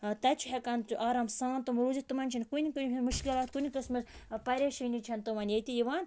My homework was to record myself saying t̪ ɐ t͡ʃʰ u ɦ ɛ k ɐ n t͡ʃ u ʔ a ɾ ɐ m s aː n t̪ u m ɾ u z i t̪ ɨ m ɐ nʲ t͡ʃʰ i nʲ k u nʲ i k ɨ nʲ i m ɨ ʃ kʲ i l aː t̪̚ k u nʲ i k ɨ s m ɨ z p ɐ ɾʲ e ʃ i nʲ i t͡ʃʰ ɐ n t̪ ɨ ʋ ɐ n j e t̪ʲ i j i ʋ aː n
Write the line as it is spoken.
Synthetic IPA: t̪ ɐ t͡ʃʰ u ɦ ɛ k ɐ n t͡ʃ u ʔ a ɾ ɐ m s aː n t̪ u m ɾ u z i t̪ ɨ m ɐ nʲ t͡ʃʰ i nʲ k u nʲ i k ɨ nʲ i m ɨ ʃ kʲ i l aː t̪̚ k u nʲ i k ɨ s m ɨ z p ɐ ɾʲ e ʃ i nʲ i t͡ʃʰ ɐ n t̪ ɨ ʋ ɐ n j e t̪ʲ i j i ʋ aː n